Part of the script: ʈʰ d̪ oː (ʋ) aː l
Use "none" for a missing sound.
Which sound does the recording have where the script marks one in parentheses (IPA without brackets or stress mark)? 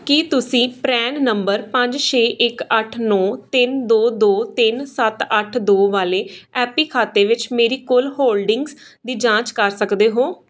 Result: ʋ